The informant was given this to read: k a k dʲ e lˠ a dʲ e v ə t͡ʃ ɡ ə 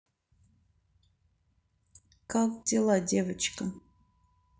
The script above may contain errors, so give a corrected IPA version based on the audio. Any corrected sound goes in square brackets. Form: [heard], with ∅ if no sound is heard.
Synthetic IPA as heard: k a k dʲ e lˠ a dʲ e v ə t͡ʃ [k] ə